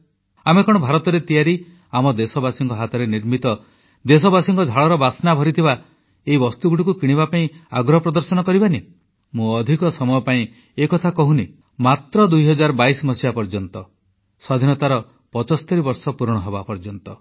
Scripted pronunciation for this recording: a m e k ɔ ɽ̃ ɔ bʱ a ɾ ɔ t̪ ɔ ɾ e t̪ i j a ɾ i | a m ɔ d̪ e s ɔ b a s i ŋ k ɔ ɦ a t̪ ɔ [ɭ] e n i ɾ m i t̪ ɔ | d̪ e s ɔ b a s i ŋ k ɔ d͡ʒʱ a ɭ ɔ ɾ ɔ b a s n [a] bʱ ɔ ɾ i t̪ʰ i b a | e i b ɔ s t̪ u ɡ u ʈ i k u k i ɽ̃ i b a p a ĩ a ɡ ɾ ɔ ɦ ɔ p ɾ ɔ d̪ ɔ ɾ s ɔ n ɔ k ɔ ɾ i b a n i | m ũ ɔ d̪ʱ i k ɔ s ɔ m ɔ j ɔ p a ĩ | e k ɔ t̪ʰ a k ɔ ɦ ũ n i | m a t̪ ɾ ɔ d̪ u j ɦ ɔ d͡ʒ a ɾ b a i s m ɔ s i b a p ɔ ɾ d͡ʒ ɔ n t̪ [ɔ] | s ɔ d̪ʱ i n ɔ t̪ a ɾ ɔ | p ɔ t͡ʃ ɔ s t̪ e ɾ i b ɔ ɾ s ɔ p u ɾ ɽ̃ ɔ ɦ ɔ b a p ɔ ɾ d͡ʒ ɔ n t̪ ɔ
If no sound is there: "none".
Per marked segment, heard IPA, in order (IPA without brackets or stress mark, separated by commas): ɾ, a, ɔ